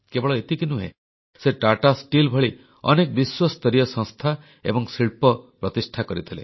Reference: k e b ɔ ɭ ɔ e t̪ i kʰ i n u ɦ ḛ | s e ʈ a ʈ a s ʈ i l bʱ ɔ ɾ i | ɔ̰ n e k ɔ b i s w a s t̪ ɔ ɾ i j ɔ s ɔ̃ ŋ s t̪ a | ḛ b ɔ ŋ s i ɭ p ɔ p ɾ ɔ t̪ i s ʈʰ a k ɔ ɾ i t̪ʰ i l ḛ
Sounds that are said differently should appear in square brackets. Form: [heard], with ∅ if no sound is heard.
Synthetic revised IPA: k e b ɔ ɭ ɔ e t̪ i [k] i n u ɦ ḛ | s e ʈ a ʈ a s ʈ i l bʱ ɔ [ɭ] i | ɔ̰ n e k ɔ b i s w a s t̪ ɔ ɾ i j ɔ s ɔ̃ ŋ s [t̪ʰ] a | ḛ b ɔ ŋ s i ɭ p ɔ p ɾ ɔ t̪ i s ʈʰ a k ɔ ɾ i t̪ʰ i l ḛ